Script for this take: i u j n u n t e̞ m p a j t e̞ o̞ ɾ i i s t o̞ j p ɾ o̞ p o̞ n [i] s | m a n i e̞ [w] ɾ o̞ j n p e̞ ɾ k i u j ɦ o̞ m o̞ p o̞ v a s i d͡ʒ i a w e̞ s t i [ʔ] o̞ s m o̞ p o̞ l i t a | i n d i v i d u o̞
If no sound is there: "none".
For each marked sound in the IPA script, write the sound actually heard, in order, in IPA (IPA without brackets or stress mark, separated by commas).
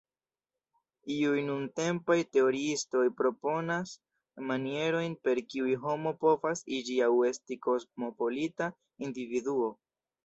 a, none, k